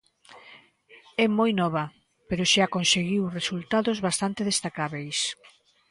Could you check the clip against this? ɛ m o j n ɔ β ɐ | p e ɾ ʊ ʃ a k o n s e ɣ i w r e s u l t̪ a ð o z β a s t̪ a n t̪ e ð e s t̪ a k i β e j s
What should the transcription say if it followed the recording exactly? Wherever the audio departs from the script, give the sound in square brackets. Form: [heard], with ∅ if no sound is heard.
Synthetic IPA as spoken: ɛ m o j n ɔ β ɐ | p e ɾ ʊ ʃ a k o n s e ɣ i w r e s u l t̪ a ð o z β a s t̪ a n t̪ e ð e s t̪ a k [a] β e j s